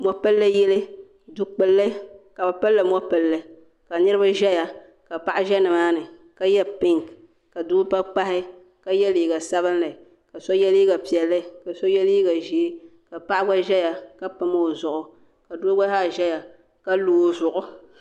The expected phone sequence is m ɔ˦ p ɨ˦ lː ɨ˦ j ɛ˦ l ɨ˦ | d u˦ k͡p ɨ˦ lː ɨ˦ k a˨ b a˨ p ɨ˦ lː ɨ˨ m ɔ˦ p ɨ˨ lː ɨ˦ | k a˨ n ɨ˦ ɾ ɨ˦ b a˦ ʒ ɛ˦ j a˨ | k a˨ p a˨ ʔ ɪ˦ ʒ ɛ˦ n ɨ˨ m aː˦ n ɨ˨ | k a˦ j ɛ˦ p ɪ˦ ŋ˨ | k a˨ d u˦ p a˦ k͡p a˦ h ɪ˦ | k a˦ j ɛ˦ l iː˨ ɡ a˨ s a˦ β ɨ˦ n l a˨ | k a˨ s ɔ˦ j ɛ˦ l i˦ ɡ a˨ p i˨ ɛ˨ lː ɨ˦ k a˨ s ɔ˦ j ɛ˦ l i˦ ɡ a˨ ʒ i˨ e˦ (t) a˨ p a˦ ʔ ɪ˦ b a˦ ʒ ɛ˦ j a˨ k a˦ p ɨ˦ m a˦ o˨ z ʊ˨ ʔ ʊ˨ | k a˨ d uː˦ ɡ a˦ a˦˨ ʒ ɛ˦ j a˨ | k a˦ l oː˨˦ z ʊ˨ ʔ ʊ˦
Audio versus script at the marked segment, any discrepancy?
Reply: yes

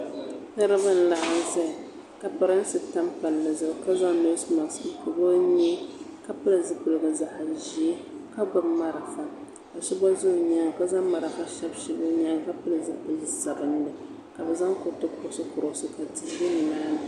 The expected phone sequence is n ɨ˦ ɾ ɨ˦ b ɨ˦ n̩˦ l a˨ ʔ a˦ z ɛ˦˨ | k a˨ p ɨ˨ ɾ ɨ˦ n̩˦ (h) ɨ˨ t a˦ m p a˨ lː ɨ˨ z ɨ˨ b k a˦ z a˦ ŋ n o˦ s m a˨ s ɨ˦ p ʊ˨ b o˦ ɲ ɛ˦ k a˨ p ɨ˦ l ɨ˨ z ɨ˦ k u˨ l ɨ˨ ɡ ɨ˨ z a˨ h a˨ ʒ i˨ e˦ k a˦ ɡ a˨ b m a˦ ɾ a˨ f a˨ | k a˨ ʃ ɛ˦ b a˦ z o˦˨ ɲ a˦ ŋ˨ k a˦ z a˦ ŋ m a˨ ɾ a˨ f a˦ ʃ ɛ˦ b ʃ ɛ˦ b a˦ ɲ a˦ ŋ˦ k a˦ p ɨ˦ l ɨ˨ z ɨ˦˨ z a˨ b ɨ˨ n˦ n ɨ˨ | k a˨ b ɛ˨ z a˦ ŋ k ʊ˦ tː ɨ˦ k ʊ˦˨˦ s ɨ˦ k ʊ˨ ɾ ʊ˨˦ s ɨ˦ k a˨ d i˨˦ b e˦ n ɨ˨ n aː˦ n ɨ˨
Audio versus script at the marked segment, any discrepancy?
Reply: yes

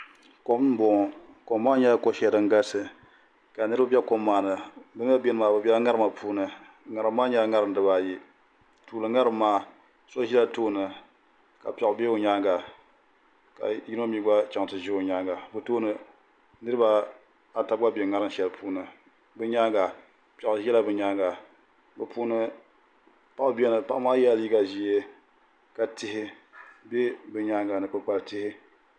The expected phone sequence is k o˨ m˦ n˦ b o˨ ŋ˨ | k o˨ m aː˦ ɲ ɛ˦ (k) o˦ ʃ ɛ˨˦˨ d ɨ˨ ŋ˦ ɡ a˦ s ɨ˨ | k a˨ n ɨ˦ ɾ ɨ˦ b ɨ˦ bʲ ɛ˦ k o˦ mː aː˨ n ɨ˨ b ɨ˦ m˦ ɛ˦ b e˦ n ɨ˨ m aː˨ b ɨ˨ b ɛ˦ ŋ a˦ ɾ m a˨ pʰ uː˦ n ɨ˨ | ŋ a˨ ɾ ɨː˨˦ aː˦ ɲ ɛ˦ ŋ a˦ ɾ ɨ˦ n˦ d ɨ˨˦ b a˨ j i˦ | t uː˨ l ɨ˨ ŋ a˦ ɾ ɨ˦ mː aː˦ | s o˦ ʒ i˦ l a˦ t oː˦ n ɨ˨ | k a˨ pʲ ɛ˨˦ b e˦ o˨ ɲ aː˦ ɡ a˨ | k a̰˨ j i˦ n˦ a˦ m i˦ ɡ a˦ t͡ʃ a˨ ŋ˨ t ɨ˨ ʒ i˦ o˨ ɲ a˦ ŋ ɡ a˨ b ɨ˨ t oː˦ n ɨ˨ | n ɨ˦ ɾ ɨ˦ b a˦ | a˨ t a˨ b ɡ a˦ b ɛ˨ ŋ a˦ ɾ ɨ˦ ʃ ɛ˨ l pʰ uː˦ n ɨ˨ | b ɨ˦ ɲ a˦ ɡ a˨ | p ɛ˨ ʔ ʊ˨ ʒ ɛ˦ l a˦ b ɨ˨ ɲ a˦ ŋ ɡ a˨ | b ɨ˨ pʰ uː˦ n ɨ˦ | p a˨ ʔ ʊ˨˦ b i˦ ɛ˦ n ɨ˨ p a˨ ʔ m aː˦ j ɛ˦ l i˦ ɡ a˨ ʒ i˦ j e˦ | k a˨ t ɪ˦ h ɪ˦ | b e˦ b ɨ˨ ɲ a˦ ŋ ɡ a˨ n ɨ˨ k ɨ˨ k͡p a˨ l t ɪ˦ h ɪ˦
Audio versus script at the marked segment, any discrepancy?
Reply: no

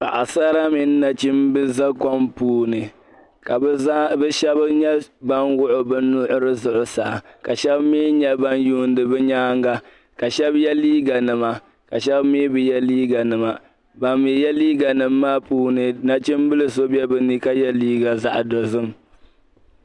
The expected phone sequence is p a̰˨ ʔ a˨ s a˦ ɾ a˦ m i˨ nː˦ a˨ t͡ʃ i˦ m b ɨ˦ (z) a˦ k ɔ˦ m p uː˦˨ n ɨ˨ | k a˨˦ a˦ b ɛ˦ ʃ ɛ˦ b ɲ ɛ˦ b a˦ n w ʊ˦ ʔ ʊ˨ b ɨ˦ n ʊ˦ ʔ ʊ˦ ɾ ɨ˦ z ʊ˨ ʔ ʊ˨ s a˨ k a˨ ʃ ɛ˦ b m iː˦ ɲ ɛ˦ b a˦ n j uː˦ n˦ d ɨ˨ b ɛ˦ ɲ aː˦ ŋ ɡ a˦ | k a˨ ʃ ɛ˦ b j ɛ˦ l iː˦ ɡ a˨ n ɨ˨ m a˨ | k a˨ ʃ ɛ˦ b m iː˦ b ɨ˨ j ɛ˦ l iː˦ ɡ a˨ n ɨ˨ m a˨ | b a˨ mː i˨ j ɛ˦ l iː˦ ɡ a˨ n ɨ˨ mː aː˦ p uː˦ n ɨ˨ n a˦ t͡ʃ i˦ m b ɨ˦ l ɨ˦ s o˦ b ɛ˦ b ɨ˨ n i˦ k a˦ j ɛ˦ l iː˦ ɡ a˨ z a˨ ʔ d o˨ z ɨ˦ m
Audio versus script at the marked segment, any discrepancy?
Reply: no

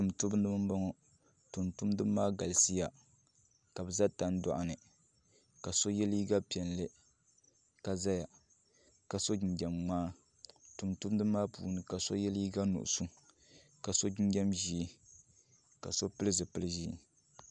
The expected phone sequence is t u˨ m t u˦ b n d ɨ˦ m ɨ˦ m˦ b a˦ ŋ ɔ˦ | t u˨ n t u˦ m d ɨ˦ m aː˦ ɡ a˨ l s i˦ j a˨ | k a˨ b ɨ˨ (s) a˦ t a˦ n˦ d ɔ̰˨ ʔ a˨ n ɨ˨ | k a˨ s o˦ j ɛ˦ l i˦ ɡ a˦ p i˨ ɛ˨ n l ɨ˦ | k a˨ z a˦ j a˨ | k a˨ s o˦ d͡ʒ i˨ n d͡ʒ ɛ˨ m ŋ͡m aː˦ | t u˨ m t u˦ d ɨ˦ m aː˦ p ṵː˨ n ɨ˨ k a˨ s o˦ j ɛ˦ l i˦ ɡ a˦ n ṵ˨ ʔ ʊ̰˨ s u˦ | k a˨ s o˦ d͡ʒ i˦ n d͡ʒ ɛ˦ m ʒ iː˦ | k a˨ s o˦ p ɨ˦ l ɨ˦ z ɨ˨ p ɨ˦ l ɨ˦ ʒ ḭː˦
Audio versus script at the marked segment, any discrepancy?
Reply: yes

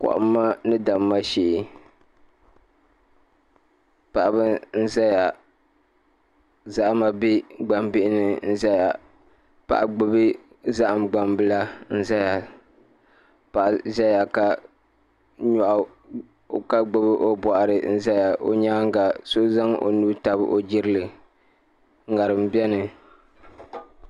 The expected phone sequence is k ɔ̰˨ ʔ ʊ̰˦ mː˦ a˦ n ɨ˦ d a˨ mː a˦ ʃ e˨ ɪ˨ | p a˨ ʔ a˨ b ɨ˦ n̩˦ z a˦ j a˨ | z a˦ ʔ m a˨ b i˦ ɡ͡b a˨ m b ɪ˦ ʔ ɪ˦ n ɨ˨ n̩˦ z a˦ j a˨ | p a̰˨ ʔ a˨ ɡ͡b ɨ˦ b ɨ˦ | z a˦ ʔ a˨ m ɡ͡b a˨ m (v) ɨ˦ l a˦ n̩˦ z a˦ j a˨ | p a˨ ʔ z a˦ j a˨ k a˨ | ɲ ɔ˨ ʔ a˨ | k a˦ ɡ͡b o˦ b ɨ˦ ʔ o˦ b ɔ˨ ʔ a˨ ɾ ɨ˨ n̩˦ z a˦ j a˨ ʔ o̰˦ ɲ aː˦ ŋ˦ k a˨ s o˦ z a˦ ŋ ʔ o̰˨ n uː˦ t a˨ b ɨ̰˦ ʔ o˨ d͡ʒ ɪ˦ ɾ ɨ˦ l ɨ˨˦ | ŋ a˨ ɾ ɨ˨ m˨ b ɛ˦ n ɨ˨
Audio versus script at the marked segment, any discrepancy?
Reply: yes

